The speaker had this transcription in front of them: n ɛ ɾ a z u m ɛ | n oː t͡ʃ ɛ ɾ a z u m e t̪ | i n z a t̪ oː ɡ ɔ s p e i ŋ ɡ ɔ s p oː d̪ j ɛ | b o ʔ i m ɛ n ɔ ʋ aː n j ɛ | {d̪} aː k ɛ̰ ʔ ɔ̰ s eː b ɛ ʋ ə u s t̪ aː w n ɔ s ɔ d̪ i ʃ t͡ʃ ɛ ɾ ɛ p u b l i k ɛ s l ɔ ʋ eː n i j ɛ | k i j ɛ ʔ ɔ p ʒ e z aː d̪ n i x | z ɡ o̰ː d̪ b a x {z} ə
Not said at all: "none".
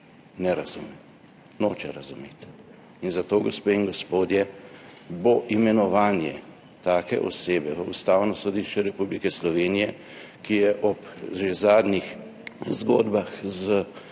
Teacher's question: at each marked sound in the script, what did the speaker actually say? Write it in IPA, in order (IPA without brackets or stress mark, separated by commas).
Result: t̪, z